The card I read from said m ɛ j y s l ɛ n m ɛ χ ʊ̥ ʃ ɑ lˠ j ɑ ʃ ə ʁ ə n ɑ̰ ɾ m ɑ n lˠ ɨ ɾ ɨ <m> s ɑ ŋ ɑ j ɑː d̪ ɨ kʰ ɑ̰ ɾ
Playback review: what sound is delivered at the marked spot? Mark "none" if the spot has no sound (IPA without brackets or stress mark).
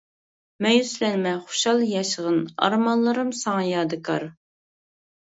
m